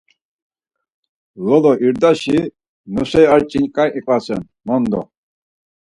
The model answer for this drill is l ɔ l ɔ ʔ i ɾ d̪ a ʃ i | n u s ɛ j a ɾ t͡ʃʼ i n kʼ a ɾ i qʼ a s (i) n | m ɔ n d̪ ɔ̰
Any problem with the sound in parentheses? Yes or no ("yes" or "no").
yes